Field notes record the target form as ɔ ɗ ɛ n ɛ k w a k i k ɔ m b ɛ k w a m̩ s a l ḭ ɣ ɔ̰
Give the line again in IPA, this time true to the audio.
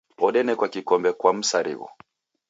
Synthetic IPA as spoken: ɔ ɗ ɛ n ɛ k w a k i k ɔ m b ɛ k w a m̩ s a ɾ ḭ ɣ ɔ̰